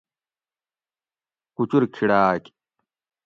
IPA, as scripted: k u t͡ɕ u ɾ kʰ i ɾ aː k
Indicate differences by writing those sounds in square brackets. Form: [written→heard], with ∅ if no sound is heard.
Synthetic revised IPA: k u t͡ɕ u ɾ kʰ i [ɾ→ɽ] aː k